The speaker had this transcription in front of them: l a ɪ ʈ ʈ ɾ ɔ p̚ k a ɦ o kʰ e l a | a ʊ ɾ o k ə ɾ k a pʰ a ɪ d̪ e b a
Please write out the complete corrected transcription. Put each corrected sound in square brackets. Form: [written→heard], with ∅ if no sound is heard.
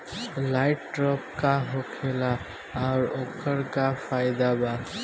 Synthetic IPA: l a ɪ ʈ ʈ ɾ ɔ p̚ k a ɦ o kʰ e l a | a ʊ ɾ o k ə ɾ k a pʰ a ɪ d̪ [e→a] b a